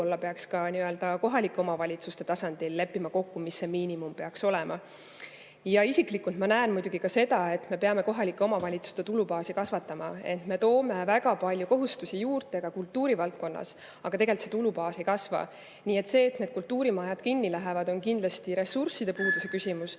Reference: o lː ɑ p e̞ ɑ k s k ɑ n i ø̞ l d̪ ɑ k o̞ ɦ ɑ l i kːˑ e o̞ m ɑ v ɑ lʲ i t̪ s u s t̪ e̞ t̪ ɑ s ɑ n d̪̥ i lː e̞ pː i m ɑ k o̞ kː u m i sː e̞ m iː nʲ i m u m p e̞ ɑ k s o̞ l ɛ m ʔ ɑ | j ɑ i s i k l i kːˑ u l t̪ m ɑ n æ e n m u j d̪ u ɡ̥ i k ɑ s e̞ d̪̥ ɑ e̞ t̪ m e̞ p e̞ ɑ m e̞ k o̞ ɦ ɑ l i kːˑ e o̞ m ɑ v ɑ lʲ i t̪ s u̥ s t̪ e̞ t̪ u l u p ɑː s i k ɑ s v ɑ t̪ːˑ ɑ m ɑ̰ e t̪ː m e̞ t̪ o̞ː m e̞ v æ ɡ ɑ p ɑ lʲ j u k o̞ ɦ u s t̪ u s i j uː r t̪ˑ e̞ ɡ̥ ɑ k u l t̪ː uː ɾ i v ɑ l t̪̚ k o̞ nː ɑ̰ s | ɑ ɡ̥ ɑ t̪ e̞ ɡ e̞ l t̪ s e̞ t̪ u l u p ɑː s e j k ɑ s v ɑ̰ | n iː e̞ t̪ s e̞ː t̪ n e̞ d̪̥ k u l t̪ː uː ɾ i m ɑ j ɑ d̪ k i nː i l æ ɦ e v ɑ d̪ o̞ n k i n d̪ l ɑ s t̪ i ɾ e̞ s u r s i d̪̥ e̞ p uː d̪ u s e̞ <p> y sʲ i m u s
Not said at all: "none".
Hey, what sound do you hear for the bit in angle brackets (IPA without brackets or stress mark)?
k